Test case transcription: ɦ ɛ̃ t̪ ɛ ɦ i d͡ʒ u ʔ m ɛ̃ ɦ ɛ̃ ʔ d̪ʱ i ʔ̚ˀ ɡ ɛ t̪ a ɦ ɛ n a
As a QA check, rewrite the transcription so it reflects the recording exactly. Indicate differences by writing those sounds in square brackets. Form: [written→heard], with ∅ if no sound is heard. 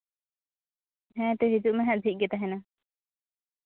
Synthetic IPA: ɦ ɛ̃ t̪ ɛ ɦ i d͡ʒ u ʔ m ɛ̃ ɦ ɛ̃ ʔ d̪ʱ i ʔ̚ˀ ɡ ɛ t̪ a ɦ ɛ n a